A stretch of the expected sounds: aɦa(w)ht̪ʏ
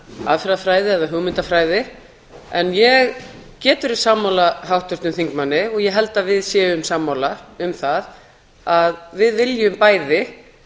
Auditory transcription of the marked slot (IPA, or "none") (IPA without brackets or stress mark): w